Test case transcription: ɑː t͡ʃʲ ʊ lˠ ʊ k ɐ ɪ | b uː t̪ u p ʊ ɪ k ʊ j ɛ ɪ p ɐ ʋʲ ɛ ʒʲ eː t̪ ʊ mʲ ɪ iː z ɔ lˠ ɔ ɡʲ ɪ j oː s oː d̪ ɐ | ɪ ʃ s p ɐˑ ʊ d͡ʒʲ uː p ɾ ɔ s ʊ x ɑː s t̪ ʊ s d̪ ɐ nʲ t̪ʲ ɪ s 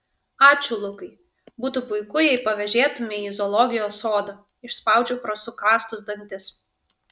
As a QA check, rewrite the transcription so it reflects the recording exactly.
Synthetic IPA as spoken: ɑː t͡ʃʲ ʊ lˠ ʊ k ɐ ɪ | b uː t̪ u p ʊ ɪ k ʊ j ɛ ɪ p ɐ ʋʲ ɛ ʒʲ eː t̪ ʊ mʲ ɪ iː z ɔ lˠ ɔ ɡʲ ɪ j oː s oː d̪ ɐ | ɪ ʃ s p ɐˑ ʊ d͡ʒʲ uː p ɾ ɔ s ʊ k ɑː s t̪ ʊ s d̪ ɐ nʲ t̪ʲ ɪ s